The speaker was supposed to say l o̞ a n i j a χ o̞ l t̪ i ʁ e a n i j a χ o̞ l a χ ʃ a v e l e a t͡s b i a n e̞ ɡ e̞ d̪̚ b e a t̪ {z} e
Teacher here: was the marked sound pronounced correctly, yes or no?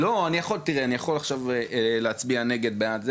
yes